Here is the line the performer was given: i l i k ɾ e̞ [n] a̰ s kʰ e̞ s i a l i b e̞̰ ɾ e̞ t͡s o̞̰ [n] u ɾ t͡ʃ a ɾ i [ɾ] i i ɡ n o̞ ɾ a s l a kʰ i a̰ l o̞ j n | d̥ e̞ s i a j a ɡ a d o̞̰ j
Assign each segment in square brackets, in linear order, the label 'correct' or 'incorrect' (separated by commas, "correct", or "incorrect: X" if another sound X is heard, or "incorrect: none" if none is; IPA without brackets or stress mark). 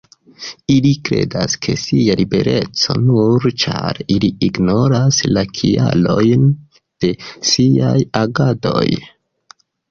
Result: incorrect: d, correct, incorrect: l